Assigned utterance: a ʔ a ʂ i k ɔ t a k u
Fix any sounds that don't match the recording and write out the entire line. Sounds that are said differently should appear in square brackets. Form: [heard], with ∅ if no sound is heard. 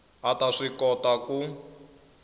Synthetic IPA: a [t] a ʂ i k ɔ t a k u